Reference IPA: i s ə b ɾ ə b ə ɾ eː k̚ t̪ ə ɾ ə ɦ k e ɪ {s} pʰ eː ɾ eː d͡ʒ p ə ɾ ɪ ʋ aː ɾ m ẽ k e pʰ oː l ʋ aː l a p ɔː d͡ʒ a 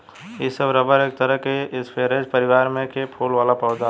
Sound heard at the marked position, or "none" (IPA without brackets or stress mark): s